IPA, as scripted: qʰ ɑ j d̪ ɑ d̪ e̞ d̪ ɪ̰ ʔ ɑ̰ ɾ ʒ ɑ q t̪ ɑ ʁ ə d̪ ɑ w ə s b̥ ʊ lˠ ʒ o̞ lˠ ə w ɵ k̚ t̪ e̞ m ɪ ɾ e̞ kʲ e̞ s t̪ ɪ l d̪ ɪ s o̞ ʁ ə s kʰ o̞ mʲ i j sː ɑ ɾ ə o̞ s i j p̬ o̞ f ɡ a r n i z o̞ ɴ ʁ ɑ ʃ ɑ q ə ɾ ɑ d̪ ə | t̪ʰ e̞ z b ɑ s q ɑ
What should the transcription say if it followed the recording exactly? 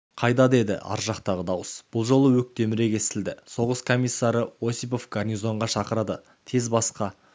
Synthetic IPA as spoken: qʰ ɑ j d̪ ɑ d̪ e̞ d̪ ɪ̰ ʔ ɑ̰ ɾ ʒ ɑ q t̪ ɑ ʁ ə d̪ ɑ w ə s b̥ ʊ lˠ ʒ o̞ lˠ ə w ɵ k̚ t̪ e̞ m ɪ ɾ e̞ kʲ e̞ s t̪ ɪ l d̪ ɪ s o̞ ʁ ə s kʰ o̞ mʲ i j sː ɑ ɾ ə o̞ s i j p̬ o̞ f ɡ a r n i z o̞ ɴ ʁ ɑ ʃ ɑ q ə ɾ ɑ d̪ ə | t̪ʰ e̞ z b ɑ s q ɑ